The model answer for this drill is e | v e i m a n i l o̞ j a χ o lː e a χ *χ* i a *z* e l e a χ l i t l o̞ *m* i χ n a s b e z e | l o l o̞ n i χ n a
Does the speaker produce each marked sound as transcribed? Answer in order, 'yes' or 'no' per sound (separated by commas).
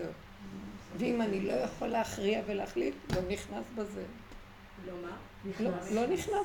no, no, no